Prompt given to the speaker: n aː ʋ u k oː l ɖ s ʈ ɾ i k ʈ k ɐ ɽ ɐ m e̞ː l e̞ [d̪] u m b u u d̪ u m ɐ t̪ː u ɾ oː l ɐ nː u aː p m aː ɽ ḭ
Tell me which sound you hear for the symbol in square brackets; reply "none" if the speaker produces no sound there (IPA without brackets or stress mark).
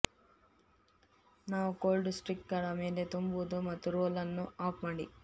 t̪